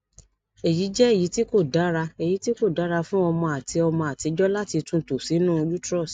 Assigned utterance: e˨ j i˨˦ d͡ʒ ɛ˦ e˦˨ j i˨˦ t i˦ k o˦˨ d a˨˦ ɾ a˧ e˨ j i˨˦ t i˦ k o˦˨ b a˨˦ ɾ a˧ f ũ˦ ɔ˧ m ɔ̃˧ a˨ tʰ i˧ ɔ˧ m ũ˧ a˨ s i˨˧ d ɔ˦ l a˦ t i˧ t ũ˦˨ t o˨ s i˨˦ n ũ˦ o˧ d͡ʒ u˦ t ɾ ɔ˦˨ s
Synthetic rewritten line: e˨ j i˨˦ d͡ʒ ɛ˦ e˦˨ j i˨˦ t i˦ k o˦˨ d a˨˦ ɾ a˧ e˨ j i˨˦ t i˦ k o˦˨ d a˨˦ ɾ a˧ f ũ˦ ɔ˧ m ɔ̃˧ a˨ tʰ i˧ ɔ˧ m ɔ̃˧ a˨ t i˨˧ d͡ʒ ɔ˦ l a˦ t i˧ t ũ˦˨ t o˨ s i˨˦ n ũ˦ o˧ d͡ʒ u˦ t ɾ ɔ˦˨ s